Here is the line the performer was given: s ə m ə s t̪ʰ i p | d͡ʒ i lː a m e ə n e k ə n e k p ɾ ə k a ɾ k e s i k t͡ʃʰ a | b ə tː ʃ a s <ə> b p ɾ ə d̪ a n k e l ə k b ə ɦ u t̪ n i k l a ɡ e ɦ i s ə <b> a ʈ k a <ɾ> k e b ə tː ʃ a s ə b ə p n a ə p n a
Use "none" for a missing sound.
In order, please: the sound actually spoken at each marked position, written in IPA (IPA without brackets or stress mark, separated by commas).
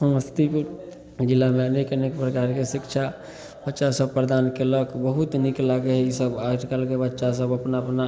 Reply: ə, b, l